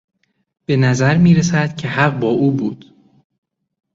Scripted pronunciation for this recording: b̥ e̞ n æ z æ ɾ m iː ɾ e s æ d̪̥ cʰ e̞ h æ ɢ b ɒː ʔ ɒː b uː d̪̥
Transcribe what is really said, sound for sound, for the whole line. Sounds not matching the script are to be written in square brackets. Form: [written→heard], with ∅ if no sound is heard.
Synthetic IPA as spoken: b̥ e̞ n æ z æ ɾ m iː ɾ e s æ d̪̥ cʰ e̞ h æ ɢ b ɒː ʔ [ɒː→uː] b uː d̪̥